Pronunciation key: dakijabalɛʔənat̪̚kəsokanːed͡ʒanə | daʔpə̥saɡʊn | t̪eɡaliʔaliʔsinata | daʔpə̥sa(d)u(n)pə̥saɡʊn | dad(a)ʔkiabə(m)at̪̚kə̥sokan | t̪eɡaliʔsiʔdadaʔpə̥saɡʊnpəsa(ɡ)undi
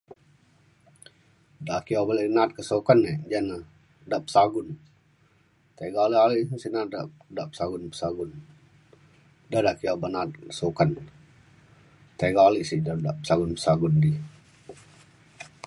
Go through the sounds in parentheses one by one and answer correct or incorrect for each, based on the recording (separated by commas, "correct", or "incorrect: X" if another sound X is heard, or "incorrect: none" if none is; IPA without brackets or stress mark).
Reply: incorrect: ɡ, correct, correct, incorrect: n, correct